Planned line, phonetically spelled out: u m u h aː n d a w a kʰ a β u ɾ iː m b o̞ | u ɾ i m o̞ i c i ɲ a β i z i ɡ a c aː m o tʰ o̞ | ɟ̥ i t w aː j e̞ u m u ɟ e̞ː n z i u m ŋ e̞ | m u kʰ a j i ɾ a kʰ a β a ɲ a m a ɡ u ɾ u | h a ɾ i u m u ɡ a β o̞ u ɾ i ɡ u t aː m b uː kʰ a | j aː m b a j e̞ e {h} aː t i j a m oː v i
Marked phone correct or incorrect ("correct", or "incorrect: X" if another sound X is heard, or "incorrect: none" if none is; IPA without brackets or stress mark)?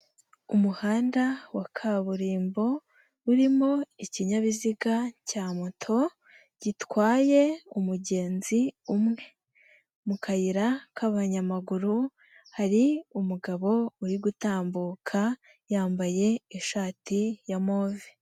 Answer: incorrect: ʃ